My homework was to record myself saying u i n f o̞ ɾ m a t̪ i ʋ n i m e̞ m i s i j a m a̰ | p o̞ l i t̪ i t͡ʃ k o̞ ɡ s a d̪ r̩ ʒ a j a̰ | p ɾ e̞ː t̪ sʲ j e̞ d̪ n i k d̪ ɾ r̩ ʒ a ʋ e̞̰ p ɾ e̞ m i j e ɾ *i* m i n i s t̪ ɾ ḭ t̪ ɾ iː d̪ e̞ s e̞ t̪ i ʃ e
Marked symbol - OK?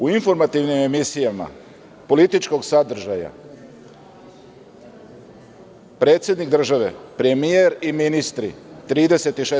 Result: yes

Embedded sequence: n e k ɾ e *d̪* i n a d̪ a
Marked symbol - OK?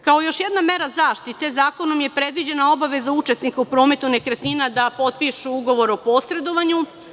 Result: no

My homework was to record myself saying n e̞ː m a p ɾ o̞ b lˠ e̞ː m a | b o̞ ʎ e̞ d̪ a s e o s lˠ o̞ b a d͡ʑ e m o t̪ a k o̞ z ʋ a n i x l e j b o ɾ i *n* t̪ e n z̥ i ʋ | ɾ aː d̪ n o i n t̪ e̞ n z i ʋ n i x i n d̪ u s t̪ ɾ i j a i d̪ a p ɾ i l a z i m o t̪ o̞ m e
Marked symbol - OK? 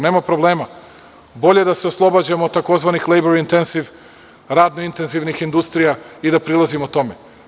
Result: yes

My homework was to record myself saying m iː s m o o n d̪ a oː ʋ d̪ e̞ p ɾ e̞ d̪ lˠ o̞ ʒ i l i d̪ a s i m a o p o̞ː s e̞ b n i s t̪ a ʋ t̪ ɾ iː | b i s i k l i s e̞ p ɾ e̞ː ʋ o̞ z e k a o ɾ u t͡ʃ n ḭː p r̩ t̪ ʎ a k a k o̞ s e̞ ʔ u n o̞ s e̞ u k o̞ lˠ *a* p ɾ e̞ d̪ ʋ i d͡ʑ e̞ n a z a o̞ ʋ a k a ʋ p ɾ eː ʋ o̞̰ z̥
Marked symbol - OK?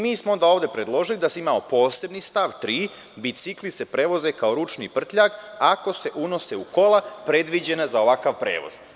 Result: yes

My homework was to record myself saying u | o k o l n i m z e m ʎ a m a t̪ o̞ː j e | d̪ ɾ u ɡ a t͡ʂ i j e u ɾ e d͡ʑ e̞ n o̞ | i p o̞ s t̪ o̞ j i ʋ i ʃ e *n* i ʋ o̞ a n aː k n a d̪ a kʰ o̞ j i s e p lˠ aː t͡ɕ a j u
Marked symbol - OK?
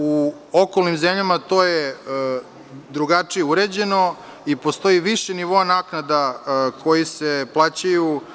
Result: yes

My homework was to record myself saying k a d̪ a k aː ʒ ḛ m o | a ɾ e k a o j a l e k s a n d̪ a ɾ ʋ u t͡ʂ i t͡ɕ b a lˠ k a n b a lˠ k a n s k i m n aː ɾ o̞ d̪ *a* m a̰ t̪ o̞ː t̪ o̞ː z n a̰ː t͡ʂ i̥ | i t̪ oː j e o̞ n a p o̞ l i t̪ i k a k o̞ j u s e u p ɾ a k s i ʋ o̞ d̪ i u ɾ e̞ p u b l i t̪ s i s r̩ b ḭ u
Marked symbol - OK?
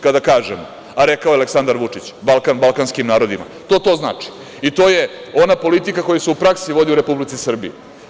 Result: no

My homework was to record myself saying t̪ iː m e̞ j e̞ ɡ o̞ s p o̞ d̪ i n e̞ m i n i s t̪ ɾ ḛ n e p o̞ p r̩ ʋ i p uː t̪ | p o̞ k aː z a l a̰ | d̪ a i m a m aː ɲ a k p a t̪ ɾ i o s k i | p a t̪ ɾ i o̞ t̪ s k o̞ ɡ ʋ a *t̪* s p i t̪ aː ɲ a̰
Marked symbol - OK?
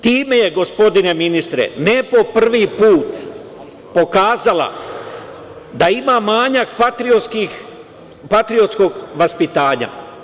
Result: no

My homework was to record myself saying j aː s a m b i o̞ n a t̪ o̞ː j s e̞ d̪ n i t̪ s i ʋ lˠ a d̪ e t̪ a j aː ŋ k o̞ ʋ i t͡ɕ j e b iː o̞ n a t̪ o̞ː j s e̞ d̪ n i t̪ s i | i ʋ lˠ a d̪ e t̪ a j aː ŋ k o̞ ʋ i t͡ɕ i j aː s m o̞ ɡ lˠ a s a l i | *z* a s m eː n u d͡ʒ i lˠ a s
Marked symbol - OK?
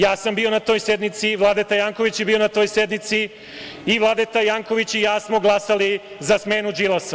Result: yes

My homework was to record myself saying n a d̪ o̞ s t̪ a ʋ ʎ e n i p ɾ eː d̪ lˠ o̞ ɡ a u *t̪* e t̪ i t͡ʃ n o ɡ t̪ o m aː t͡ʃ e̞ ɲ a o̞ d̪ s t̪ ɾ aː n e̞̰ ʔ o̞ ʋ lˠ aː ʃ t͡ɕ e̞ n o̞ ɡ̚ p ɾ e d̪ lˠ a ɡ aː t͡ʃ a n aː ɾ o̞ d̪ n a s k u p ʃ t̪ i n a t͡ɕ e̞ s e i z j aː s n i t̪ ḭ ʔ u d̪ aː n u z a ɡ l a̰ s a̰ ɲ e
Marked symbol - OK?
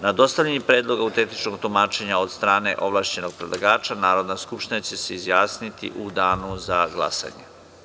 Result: yes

